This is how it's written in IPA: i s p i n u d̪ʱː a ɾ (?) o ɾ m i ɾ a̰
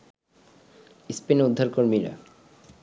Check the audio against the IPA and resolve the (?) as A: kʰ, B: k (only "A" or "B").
B